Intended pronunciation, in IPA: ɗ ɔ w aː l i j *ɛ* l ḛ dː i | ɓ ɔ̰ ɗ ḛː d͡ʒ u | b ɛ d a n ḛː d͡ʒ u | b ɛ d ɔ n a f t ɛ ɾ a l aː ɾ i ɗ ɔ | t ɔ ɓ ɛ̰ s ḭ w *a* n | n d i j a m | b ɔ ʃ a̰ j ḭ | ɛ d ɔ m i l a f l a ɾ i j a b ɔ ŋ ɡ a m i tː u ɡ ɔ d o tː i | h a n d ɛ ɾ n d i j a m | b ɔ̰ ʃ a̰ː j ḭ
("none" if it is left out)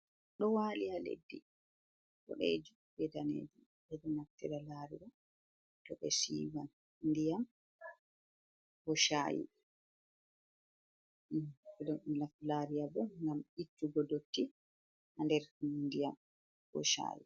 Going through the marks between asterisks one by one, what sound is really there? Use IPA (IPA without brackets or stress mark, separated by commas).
a, a